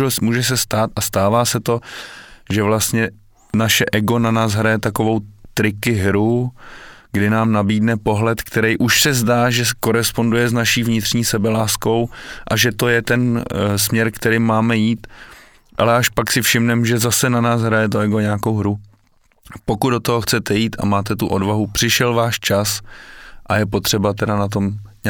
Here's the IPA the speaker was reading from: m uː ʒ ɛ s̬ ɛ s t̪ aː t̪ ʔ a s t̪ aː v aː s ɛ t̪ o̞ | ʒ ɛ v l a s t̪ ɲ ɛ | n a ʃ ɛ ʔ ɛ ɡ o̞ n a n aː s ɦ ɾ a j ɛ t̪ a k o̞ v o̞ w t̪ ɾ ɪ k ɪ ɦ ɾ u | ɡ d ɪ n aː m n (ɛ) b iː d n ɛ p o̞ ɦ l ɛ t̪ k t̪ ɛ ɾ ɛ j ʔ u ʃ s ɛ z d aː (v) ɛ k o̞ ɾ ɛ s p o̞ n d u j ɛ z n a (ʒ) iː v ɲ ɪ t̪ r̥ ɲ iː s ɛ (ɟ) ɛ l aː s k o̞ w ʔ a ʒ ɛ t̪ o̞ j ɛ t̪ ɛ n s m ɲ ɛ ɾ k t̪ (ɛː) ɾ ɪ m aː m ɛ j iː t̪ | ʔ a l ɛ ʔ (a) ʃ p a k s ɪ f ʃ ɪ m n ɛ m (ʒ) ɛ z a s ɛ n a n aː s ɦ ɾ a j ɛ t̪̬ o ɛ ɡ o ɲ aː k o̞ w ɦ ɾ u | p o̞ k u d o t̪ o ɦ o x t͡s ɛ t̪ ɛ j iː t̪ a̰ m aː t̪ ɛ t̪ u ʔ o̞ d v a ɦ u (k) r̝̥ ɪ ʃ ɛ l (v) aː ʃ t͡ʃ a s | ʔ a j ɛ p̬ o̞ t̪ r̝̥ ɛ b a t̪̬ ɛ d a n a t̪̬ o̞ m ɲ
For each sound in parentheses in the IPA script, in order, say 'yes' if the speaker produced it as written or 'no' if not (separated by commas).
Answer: no, no, no, no, no, yes, yes, no, yes